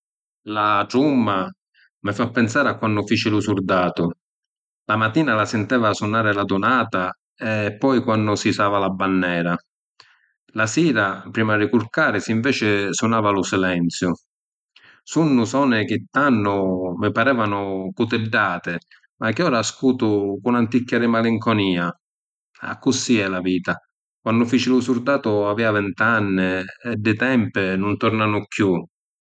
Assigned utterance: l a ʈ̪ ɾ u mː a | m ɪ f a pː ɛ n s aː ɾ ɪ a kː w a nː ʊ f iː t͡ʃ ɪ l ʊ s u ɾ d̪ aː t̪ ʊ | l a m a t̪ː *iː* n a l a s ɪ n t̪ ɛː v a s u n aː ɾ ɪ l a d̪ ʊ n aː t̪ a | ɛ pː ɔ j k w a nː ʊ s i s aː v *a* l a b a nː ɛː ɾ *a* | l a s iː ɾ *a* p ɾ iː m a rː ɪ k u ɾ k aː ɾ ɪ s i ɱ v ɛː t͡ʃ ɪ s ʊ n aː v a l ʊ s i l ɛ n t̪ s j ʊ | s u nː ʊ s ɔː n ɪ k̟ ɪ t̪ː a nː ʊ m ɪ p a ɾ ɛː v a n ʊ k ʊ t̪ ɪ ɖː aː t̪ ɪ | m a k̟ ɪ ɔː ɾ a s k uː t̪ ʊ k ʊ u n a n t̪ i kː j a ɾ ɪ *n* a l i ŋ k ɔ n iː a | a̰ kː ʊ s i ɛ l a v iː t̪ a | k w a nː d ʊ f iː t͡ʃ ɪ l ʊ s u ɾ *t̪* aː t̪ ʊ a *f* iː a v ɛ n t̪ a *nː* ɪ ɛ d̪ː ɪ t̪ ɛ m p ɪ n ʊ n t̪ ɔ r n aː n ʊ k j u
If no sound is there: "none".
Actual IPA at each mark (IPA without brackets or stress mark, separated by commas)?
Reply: iː, a, a, a, m, d̪, v, nː